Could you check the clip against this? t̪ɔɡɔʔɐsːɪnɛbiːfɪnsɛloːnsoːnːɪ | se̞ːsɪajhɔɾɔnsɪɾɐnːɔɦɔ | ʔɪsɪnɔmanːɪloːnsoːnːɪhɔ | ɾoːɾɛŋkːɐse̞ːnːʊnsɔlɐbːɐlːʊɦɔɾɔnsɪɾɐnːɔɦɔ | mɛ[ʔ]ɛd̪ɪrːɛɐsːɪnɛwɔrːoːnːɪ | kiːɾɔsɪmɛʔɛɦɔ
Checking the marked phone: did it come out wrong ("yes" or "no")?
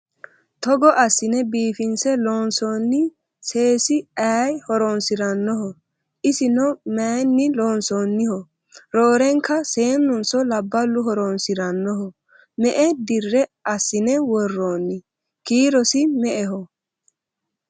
no